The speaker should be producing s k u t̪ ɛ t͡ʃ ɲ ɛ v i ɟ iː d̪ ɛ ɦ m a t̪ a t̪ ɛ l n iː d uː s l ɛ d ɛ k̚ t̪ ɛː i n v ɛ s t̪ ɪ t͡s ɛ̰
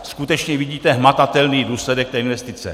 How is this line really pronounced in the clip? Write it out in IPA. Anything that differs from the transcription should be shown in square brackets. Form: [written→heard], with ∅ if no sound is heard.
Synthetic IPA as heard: s k u t̪ ɛ t͡ʃ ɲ ɛ v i ɟ iː [d̪→t̪] ɛ ɦ m a t̪ a t̪ ɛ l n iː d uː s l ɛ d ɛ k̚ t̪ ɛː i n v ɛ s t̪ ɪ t͡s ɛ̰